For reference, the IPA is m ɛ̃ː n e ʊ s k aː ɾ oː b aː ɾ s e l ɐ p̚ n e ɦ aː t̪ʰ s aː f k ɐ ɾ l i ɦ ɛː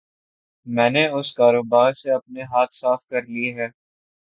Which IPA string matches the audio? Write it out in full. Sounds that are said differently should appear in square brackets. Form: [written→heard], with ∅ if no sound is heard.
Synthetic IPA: m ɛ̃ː n e ʊ s k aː ɾ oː b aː ɾ s e [l→∅] ɐ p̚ n e ɦ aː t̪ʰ s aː f k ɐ ɾ l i ɦ ɛː